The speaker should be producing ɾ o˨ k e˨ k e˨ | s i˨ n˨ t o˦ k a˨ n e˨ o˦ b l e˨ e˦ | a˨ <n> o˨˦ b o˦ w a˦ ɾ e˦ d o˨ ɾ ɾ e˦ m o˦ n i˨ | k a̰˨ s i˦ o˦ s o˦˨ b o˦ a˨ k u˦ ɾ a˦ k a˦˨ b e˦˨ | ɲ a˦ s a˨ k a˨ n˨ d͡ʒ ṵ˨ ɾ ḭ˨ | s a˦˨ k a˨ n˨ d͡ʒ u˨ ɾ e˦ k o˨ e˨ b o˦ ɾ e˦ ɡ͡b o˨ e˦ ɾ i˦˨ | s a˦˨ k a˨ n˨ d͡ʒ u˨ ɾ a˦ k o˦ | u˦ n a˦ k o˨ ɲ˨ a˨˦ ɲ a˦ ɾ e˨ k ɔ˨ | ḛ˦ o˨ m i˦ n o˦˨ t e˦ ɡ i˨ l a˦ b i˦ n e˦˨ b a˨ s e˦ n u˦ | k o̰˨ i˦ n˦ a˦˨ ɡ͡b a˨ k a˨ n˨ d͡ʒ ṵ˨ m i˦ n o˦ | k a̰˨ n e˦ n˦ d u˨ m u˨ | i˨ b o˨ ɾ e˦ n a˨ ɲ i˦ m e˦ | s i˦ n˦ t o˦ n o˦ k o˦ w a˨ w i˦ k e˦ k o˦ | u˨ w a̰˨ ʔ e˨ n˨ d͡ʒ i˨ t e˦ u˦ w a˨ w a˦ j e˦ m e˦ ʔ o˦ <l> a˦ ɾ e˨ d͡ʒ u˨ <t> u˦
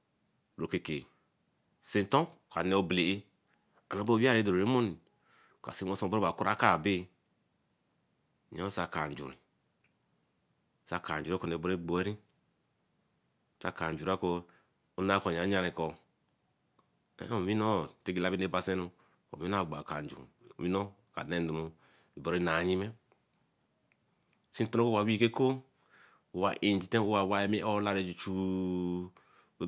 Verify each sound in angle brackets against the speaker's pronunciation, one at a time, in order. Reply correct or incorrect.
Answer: correct, correct, incorrect

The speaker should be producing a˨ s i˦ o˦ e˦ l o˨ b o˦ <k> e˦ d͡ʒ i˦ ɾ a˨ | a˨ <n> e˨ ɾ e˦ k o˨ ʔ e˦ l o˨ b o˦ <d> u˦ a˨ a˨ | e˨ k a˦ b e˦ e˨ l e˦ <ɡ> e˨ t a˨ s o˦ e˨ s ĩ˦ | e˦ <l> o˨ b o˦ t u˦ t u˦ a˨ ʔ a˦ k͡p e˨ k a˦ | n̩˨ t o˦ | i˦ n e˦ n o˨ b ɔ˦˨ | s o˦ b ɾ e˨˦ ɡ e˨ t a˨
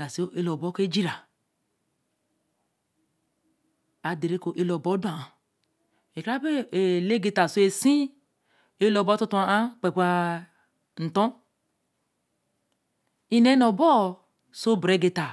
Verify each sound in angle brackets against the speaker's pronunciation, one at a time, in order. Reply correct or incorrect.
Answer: correct, incorrect, correct, correct, correct

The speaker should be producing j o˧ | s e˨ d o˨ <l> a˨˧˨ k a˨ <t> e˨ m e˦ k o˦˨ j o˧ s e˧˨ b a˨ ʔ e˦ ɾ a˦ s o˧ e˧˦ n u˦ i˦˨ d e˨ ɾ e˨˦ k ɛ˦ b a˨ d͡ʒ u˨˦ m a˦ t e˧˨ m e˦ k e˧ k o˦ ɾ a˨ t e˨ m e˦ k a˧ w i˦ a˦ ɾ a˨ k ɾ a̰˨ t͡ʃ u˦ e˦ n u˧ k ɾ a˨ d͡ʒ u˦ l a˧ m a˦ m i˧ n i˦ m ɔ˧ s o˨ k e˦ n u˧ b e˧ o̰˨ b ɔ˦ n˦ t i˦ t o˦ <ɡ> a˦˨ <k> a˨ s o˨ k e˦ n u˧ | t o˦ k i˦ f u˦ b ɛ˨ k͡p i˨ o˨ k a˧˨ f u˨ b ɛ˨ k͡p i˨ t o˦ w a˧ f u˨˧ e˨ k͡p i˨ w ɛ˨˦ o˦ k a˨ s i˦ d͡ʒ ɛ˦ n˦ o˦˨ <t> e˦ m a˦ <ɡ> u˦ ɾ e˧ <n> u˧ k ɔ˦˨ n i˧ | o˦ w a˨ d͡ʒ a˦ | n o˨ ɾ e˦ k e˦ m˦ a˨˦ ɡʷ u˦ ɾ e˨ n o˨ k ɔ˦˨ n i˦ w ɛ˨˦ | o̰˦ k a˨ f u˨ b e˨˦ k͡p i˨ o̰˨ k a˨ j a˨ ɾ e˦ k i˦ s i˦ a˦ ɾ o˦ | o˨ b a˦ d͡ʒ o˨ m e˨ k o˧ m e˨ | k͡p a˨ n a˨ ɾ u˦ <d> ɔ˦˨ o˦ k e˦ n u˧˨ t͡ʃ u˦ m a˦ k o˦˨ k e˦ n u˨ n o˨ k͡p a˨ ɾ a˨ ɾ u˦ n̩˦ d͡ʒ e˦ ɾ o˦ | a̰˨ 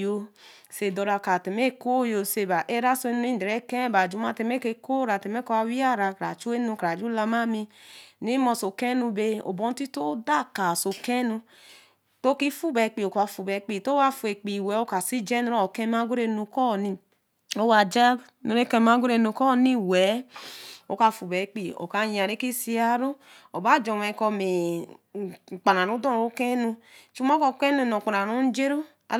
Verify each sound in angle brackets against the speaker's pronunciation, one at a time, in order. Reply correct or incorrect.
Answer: incorrect, correct, incorrect, correct, incorrect, correct, correct, correct

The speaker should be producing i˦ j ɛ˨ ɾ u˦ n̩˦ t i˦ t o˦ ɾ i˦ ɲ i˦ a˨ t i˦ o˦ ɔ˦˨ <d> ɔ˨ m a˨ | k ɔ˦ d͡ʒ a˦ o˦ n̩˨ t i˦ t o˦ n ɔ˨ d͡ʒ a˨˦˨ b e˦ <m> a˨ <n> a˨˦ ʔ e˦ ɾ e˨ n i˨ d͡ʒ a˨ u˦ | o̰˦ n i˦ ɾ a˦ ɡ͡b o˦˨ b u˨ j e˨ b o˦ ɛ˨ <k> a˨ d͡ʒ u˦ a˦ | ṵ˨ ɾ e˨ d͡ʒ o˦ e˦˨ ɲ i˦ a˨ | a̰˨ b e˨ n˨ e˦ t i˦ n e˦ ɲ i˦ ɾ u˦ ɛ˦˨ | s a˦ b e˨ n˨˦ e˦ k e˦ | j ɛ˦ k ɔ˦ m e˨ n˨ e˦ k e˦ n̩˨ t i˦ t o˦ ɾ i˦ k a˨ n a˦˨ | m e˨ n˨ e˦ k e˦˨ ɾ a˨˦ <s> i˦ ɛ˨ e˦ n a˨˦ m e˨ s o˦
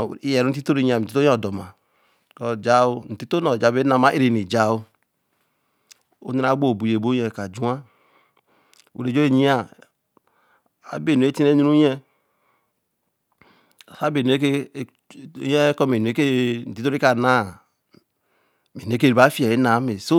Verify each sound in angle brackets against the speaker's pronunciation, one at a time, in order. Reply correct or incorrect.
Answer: correct, incorrect, incorrect, correct, incorrect

